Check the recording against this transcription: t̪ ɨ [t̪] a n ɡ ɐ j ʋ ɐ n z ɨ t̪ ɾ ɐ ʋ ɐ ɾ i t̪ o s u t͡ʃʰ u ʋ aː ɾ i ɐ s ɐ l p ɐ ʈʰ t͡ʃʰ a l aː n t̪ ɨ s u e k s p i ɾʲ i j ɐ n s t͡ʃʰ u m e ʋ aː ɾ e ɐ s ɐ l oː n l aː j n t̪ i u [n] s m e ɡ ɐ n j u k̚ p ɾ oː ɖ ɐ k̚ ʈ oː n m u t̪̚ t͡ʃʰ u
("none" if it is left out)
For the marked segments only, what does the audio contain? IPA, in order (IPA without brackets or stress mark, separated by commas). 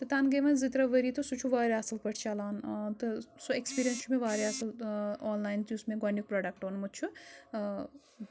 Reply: t̪, none